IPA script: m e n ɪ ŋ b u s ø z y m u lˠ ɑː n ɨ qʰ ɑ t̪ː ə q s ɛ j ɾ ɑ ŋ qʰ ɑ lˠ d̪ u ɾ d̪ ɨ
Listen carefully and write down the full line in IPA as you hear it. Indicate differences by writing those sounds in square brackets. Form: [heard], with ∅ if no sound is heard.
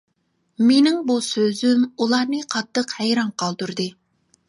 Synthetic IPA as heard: m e n ɪ ŋ b u s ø z y m u lˠ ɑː n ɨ qʰ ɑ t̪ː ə q [h] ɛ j ɾ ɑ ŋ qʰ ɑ lˠ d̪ u ɾ d̪ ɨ